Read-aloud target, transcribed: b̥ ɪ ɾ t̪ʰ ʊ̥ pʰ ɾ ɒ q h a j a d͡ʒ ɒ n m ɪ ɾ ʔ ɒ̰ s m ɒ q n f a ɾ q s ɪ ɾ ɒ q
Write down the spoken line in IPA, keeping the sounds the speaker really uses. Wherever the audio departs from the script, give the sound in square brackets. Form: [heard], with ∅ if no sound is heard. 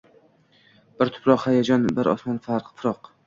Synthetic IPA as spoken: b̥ ɪ ɾ t̪ʰ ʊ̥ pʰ ɾ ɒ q h a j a d͡ʒ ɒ n [b] ɪ ɾ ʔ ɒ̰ s m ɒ [∅] n f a ɾ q [f] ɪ ɾ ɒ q

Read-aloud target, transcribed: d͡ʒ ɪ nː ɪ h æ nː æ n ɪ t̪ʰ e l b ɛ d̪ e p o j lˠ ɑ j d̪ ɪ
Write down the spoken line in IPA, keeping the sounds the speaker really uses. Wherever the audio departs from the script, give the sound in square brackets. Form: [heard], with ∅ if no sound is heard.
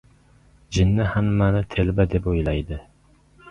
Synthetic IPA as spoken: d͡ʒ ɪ nː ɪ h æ [mː] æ n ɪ t̪ʰ e l b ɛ d̪ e p o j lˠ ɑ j d̪ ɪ

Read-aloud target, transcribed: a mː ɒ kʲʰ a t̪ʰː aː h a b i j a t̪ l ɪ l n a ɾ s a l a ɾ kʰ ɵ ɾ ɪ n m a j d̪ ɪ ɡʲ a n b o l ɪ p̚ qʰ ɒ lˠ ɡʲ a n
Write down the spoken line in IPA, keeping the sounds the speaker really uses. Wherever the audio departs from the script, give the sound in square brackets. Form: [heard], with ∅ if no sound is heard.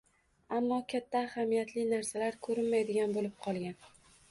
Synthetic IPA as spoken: a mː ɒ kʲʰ a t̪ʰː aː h a [m] i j a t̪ l ɪ [∅] n a ɾ s a l a ɾ kʰ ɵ ɾ ɪ n m a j d̪ ɪ ɡʲ a n b o l ɪ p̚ qʰ ɒ lˠ ɡʲ a n

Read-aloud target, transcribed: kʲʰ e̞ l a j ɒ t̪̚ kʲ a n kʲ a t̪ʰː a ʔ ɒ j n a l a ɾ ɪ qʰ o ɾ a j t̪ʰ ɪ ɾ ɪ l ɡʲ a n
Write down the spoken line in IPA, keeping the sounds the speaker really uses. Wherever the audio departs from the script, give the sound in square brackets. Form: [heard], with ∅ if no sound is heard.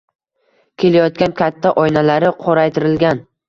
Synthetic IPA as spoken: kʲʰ e̞ l a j ɒ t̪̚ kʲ a n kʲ a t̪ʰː a ʔ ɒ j n a l a ɾ ɪ qʰ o ɾ a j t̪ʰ ɪ ɾ ɪ l ɡʲ a n

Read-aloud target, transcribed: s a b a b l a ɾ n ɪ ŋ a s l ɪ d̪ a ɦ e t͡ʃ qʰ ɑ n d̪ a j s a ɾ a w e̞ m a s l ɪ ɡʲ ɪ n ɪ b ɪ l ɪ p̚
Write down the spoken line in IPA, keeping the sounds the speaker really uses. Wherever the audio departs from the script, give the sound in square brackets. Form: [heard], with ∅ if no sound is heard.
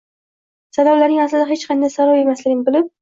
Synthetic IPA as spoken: s a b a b l a ɾ n ɪ ŋ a s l ɪ d̪ a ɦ e t͡ʃ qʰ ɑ n d̪ a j s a ɾ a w e̞ m a s l ɪ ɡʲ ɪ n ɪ b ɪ l ɪ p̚

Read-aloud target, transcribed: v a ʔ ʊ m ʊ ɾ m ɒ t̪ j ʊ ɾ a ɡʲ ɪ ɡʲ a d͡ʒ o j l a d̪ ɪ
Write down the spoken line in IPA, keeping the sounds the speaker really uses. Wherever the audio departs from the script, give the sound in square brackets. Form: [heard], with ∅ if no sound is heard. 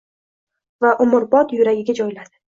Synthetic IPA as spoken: v a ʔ ʊ m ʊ ɾ [b] ɒ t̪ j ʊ ɾ a ɡʲ ɪ ɡʲ a d͡ʒ [ɒ] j l a d̪ ɪ

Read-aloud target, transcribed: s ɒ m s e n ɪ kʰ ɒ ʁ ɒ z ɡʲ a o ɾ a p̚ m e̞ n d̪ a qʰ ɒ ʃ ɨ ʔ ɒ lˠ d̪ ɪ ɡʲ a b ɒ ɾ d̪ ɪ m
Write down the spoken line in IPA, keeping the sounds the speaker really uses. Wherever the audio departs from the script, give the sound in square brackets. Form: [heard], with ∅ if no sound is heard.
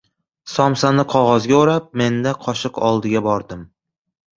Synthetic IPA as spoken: s ɒ m s [a] n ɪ [qʰ] ɒ ʁ ɒ z ɡʲ a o ɾ a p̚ m e̞ n d̪ a qʰ ɒ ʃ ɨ [q] ɒ lˠ d̪ ɪ ɡʲ a b ɒ ɾ d̪ ɪ m

